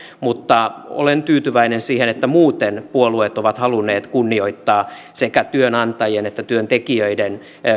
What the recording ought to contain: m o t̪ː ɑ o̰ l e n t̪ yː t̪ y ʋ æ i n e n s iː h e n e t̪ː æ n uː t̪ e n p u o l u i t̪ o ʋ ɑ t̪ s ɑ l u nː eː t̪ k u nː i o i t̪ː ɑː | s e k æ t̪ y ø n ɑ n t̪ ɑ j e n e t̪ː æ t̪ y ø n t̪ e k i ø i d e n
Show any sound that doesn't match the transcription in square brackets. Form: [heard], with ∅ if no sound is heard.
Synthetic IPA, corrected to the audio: m [u] t̪ː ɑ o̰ l e n t̪ yː t̪ y ʋ æ i n e n s iː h e n e t̪ː æ [m] uː t̪ e n p u o l u [e] t̪ o ʋ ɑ t̪ [h] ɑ l u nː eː t̪ k u nː i o i t̪ː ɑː | s e k æ t̪ y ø n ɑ n t̪ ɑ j e n e t̪ː æ t̪ y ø n t̪ e k i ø i d e n